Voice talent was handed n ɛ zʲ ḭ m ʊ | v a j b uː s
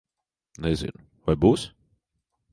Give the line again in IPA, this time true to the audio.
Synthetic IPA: n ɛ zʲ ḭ n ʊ | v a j b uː s